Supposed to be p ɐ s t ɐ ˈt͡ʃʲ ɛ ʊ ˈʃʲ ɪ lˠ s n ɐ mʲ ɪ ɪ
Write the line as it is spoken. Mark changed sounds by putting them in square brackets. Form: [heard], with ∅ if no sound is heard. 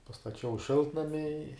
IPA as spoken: p ɐ s t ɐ ˈt͡ʃʲ ɛ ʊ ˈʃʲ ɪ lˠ [t] n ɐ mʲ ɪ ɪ